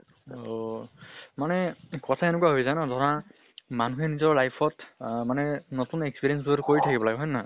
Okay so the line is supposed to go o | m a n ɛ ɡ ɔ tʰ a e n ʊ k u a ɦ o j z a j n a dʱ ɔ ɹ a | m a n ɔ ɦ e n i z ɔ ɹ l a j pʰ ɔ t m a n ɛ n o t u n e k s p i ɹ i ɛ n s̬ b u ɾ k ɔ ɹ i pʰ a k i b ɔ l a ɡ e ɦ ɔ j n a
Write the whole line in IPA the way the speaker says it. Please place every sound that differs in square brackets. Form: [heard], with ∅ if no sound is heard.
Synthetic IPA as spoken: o | m a n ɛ [k] ɔ tʰ a e n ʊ k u a ɦ o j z a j n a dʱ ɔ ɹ a | m a n [u] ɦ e n i z ɔ ɹ l a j pʰ ɔ t m a n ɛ n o t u n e k s p i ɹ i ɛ n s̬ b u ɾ k [o] ɹ i [tʰ] a k i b ɔ l a ɡ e ɦ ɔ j n a